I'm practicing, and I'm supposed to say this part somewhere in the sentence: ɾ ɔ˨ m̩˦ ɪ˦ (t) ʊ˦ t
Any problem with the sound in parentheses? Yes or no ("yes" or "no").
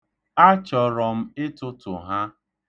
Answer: no